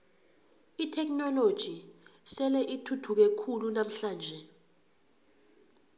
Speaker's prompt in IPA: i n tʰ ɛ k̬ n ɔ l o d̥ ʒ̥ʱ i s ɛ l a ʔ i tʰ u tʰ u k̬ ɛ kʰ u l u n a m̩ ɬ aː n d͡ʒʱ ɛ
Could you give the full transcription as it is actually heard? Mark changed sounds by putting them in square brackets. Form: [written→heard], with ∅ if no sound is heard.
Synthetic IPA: i [n→∅] tʰ ɛ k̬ n ɔ l o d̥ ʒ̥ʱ i s ɛ l [a→ɛ] ʔ i tʰ u tʰ u k̬ ɛ kʰ u l u n a m̩ ɬ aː n d͡ʒʱ ɛ